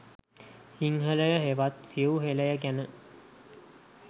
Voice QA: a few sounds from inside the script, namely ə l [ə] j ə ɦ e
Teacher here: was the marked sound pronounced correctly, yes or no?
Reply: yes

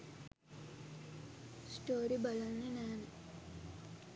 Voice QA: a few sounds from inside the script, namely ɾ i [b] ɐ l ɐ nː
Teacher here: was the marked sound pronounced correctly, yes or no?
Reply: yes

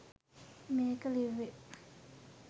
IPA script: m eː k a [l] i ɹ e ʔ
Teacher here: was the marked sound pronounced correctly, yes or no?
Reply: yes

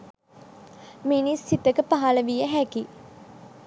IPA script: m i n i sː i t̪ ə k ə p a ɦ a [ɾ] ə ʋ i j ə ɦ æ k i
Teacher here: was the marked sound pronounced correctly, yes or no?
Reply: no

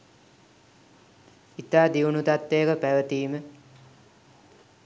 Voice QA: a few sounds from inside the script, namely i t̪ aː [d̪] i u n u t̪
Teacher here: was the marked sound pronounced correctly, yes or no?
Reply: yes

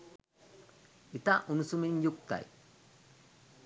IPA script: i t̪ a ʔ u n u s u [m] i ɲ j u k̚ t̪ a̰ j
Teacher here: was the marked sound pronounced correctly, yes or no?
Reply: yes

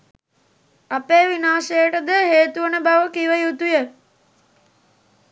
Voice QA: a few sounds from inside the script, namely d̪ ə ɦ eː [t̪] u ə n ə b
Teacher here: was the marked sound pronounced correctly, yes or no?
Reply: yes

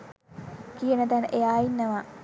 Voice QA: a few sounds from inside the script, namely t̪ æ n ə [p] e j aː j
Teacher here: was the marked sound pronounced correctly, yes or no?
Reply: no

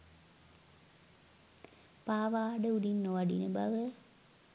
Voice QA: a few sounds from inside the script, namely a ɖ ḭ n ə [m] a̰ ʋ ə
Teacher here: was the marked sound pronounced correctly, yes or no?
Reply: no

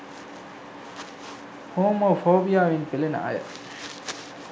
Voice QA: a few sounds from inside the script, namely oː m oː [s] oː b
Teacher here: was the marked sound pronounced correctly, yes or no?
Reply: no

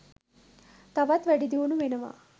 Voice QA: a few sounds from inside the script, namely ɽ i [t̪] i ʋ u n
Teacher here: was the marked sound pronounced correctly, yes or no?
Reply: no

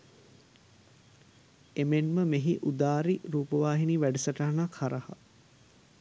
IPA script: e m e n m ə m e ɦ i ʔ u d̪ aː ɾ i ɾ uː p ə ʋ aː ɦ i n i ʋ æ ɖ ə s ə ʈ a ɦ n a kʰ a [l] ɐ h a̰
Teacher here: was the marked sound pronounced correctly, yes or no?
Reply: no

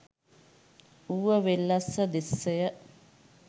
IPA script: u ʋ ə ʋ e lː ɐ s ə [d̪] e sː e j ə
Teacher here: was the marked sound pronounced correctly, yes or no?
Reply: yes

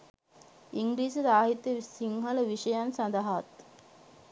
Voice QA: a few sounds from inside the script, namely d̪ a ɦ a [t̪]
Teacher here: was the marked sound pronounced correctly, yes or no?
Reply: yes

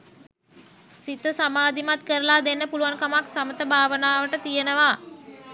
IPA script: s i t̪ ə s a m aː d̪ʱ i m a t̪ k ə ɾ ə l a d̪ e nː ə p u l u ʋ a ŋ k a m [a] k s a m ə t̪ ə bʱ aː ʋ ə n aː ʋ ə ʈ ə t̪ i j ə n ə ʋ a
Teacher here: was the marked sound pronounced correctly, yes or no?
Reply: yes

